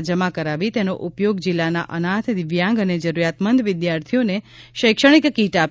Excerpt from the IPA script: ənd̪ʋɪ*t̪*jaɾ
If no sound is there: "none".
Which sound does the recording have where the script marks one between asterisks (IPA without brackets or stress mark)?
d̪